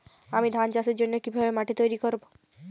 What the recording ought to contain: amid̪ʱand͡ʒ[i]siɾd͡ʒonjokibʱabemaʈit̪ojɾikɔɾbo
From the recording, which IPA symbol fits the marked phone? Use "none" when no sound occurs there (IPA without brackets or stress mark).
a